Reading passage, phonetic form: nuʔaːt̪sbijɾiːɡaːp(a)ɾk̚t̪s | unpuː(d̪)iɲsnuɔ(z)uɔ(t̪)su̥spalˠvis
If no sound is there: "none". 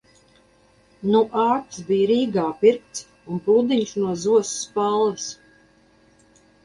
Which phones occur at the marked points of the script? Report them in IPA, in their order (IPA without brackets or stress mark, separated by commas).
i, d̪, z, none